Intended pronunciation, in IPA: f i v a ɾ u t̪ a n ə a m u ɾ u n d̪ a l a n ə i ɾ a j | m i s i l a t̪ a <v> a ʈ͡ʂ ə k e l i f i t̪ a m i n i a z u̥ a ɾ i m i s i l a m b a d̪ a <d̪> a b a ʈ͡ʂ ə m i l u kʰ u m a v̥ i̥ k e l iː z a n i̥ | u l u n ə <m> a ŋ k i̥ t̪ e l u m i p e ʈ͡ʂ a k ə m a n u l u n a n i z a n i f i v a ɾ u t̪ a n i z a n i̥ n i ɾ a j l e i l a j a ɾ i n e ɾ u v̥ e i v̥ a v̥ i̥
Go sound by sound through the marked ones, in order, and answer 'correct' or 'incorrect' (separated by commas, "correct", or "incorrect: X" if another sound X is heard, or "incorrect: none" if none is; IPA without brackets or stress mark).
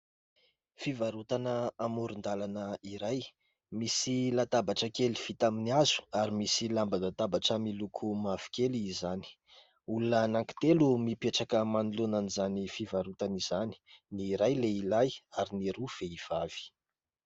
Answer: incorrect: b, incorrect: t̪, incorrect: n